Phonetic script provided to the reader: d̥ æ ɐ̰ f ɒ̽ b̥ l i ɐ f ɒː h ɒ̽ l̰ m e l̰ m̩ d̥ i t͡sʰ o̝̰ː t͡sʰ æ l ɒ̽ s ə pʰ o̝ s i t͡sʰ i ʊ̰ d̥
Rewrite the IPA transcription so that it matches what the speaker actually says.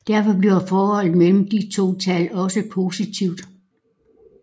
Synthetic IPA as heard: d̥ æ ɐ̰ f ɒ̽ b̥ l i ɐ f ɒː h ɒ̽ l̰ m e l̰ m̩ d̥ i t͡sʰ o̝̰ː t͡sʰ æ l ɒ̽ s ə pʰ o̝ s i t͡sʰ i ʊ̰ d̥